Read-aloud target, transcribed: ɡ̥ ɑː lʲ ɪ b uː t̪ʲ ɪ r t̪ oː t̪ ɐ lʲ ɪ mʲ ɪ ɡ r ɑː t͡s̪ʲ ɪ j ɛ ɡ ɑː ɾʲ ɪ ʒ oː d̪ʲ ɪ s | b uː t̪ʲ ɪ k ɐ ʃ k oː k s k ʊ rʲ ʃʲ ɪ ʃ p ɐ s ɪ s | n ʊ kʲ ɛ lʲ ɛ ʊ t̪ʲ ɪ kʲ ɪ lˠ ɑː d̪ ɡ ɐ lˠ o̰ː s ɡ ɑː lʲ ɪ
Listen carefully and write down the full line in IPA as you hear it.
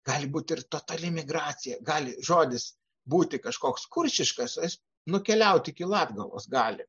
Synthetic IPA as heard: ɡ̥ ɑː lʲ ɪ b uː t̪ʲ ɪ r t̪ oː t̪ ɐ lʲ ɪ mʲ ɪ ɡ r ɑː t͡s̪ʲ ɪ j ɛ ɡ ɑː lʲ ɪ ʒ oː d̪ʲ ɪ s | b uː t̪ʲ ɪ k ɐ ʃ k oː k s k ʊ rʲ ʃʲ ɪ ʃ k ɐ s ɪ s | n ʊ kʲ ɛ lʲ ɛ ʊ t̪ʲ ɪ kʲ ɪ lˠ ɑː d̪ ɡ ɐ lˠ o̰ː s ɡ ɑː lʲ ɪ